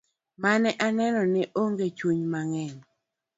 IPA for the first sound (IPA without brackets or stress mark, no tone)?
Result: m